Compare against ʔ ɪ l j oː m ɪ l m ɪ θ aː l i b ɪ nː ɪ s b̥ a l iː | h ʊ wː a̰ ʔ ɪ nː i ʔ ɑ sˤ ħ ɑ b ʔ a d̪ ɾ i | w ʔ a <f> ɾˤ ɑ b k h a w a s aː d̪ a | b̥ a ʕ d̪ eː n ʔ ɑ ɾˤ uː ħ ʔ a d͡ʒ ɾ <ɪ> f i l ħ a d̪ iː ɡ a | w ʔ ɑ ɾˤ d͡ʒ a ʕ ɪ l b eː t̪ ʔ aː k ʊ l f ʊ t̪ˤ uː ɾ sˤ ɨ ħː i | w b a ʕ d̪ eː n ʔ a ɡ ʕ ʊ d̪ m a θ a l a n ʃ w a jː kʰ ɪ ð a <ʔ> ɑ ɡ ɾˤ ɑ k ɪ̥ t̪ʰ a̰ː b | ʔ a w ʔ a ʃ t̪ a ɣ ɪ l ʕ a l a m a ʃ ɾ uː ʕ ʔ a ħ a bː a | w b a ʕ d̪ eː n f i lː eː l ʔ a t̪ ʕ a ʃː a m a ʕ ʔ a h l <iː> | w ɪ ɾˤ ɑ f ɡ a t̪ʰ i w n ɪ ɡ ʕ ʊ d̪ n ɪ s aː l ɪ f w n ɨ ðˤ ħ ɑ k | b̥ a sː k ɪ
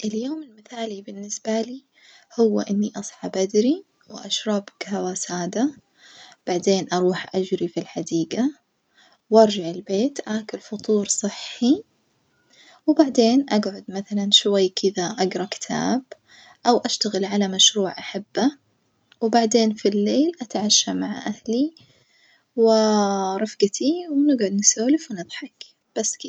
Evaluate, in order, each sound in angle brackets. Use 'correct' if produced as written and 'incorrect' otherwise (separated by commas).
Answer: incorrect, incorrect, correct, incorrect